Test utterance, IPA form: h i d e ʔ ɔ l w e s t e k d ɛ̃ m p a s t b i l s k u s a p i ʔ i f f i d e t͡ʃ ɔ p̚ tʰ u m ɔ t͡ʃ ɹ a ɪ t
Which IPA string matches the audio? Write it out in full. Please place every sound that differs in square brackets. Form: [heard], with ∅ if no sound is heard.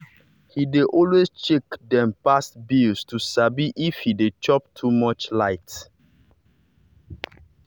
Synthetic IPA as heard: h i d e ʔ ɔ l w e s [t͡ʃ] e k d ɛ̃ m p a s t b i l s [t] u s a [b] i ʔ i f [h] i d e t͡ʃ ɔ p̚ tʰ u m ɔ t͡ʃ [l] a ɪ t